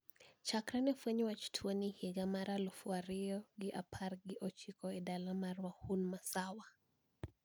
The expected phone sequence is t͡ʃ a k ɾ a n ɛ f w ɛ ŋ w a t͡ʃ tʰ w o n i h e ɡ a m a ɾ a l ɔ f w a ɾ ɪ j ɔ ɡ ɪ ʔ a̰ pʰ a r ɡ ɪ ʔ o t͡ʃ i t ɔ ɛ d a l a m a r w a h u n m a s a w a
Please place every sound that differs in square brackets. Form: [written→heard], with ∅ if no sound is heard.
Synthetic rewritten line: t͡ʃ a k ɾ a n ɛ f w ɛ [ŋ→ɲ] w a t͡ʃ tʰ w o n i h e ɡ a m a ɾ a l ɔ f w a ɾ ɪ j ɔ ɡ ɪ ʔ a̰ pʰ a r ɡ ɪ ʔ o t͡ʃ i [t→k] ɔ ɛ d a l a m a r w a h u n m a s a w a

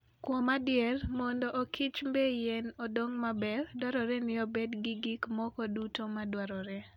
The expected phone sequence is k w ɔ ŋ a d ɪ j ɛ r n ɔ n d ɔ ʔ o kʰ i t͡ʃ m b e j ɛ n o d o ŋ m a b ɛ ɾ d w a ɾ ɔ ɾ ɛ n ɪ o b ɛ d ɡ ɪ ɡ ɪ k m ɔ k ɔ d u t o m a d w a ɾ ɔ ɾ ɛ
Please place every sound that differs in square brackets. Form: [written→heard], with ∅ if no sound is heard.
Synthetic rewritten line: k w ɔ [ŋ→m] a d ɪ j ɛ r [n→m] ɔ n d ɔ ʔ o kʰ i t͡ʃ m b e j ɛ n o d o ŋ m a b ɛ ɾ d w a ɾ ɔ ɾ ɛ n ɪ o b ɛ d ɡ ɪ ɡ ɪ k m ɔ k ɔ d u t o m a d w a ɾ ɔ ɾ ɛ

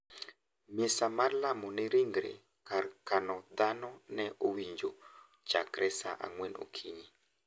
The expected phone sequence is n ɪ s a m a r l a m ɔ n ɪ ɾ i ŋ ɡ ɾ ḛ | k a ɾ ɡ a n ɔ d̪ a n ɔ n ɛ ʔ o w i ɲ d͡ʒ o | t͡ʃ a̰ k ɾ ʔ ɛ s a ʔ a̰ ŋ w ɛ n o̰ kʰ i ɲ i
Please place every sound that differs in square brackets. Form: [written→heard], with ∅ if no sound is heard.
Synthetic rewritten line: [n→m] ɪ s a m a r l a m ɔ n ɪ ɾ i ŋ ɡ ɾ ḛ | k a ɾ [ɡ→k] a n ɔ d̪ a n ɔ n ɛ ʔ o w i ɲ d͡ʒ o | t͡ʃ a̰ k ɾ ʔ ɛ s a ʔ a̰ ŋ w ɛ n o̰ kʰ i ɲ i

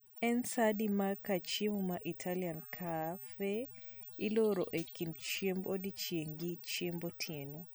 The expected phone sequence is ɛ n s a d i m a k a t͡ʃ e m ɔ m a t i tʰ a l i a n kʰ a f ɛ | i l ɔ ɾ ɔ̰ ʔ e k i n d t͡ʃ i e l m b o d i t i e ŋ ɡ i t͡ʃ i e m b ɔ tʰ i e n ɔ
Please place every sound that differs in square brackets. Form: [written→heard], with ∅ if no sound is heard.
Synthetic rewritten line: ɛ n s a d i m a k a t͡ʃ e m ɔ m a [t→ʔ] i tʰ a l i a n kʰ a f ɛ | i l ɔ ɾ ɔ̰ ʔ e k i n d t͡ʃ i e [l→∅] m b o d i [t→t͡ʃ] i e ŋ ɡ i t͡ʃ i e m b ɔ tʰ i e n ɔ

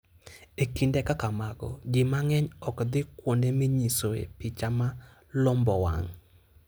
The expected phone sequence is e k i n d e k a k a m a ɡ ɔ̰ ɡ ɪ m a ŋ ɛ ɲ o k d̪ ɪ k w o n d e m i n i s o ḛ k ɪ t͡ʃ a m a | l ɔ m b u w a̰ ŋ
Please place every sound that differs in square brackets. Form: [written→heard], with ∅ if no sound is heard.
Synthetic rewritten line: e k i n d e k a k a m a ɡ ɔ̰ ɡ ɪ m a ŋ ɛ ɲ [o→ɔ] k d̪ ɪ k w o n d e m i [n→ɲ] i s o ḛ [k→p] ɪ t͡ʃ a m a | l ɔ m b [u→ɔ] w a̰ ŋ

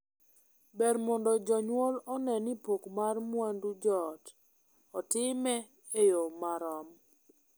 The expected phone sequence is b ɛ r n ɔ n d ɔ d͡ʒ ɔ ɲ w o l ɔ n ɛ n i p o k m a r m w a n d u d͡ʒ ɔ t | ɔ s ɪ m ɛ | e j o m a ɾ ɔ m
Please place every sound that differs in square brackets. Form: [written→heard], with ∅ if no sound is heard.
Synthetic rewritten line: b ɛ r [n→m] ɔ n d ɔ d͡ʒ ɔ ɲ w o l ɔ n ɛ n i p o k m a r m w a n d u d͡ʒ ɔ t | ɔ [s→t] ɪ m ɛ | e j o m a ɾ ɔ m

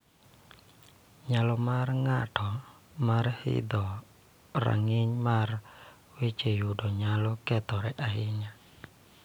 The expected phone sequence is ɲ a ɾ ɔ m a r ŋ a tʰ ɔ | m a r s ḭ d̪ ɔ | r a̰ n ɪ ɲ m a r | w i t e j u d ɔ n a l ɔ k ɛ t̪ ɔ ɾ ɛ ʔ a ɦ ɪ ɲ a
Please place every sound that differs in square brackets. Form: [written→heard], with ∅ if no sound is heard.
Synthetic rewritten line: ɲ a [ɾ→l] ɔ m a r ŋ a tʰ ɔ | m a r [s→h] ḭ d̪ ɔ | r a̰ [n→ŋ] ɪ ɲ m a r | w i [t→t͡ʃ] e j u d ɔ [n→ɲ] a l ɔ k ɛ t̪ ɔ ɾ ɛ ʔ a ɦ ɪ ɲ a

